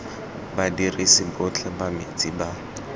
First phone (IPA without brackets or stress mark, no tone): b